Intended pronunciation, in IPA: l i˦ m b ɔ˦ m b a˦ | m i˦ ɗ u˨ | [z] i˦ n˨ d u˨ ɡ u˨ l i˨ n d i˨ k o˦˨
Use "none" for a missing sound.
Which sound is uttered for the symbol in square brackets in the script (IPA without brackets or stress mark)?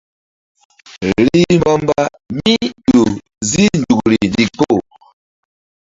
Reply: z